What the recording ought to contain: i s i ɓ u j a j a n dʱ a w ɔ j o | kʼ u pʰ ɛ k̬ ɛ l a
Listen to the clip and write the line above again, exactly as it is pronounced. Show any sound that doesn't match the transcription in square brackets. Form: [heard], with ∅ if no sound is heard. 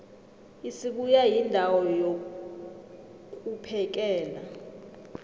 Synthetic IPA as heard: i s i ɓ u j a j [i] n dʱ a w ɔ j o | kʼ u pʰ ɛ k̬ [ɛː] l a